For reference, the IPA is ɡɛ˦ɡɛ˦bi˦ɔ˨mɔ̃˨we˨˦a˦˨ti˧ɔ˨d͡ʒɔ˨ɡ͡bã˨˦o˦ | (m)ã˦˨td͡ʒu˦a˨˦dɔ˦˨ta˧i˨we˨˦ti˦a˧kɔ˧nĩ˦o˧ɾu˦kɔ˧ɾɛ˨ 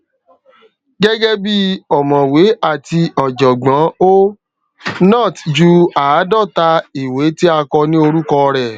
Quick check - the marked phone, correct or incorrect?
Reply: incorrect